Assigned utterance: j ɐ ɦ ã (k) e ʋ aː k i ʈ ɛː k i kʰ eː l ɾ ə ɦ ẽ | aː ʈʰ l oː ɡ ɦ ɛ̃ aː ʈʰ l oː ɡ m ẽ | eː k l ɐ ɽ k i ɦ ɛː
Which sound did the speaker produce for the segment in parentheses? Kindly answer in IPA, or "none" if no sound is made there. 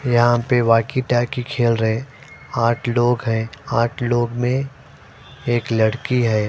p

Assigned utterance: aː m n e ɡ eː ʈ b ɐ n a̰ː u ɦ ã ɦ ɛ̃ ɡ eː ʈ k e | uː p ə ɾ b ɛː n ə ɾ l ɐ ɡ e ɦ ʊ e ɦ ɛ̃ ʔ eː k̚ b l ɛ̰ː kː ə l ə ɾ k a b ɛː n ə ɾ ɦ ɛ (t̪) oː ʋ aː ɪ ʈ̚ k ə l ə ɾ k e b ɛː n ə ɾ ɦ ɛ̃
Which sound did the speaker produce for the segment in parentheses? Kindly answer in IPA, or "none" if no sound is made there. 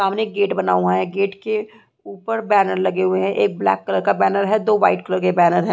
d̪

